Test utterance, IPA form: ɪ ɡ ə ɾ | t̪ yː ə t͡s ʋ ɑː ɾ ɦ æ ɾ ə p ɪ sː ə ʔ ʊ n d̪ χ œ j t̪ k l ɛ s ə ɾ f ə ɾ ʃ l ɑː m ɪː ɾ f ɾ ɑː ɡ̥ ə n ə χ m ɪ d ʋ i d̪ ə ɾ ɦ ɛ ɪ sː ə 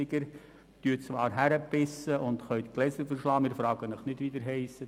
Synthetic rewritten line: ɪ ɡ ə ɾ | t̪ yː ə t͡s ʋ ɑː ɾ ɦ æ ɾ ə p ɪ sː ə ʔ ʊ n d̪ χ œ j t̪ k l ɛ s ə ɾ f ə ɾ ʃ l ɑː m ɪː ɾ f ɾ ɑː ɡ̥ ə n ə χ n ɪ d ʋ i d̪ ə ɾ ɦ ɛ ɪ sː ə